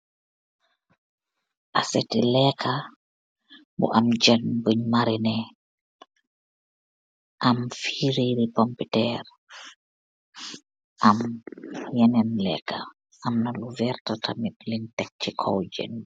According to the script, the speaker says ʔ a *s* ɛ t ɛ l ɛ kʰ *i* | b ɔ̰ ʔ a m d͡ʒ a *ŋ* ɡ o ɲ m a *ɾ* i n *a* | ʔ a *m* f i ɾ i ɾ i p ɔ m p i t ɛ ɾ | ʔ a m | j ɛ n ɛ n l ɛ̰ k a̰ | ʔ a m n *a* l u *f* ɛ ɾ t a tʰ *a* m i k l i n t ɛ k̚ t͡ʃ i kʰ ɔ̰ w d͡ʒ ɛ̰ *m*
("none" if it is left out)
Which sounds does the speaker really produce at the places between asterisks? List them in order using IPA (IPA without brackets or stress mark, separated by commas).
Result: s, a, n, ɾ, ɛ, m, a, v, a, n